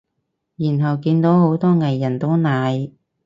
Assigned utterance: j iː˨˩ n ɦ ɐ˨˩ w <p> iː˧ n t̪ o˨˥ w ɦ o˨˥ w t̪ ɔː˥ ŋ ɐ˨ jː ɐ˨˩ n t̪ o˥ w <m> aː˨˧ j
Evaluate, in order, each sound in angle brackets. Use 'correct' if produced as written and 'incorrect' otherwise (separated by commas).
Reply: incorrect, incorrect